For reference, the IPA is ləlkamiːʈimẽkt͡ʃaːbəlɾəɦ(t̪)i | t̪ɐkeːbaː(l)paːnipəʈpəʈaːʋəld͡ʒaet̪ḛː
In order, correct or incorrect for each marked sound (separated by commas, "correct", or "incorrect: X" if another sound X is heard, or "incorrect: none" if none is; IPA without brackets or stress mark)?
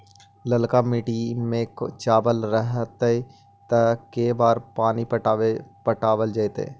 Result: correct, incorrect: ɾ